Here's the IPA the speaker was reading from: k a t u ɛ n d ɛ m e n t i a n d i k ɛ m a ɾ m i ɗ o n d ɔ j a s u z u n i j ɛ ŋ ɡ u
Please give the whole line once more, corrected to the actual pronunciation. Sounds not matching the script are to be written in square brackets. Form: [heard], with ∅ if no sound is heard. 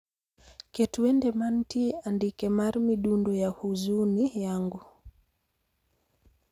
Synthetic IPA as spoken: k [ɛ] t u ɛ n d ɛ m [a] n t i a n d i k ɛ m a ɾ m i ɗ [u] n d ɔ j a [h] u z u n i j [a] ŋ ɡ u